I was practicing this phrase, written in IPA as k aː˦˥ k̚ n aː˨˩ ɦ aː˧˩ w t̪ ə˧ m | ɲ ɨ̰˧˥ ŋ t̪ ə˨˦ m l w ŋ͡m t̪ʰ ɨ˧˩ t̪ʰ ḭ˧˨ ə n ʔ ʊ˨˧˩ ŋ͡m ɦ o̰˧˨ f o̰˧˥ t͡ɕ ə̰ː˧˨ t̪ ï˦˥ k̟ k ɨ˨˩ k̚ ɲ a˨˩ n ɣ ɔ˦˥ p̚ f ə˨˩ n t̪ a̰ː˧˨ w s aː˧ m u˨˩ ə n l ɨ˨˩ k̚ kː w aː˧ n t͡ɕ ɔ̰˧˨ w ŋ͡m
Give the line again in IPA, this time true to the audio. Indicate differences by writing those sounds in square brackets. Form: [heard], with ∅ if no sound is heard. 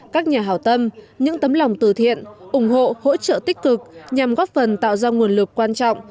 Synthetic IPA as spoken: k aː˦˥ k̚ [ɲ] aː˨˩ ɦ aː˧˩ w t̪ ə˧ m | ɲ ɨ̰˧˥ ŋ t̪ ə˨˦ m l w ŋ͡m [t̪] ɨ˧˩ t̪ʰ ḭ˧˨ ə n ʔ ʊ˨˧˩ ŋ͡m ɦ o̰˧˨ [h] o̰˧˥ t͡ɕ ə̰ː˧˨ t̪ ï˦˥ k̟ k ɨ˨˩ k̚ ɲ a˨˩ [m] ɣ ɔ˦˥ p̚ f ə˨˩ n t̪ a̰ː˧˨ w [z] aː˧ [ŋ] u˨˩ ə n l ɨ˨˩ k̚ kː w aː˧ n t͡ɕ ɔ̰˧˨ w ŋ͡m